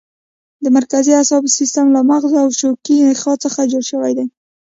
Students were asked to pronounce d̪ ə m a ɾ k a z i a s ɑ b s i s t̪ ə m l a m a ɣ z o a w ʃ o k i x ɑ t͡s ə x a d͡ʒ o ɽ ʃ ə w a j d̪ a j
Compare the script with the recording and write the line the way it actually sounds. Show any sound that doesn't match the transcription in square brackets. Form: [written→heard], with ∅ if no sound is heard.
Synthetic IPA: d̪ ə m a ɾ k a z i a s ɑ b s i s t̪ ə m l a m a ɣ z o a w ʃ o k i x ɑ t͡s ə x a d͡ʒ o ɽ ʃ ə w a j d̪ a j